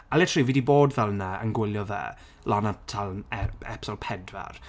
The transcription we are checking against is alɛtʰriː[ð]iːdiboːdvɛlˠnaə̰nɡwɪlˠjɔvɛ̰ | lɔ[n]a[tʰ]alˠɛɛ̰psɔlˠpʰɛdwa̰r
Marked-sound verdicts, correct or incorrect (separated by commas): incorrect, correct, correct